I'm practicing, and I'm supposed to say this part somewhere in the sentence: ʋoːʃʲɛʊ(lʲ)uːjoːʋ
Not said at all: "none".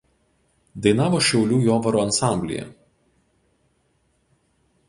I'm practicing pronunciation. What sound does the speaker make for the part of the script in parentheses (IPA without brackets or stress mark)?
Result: lʲ